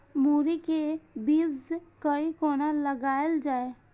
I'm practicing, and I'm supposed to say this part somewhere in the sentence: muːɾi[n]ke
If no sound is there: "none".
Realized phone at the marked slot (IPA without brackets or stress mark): none